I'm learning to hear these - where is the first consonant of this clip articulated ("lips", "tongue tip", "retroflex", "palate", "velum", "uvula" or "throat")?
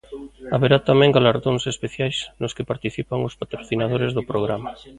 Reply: lips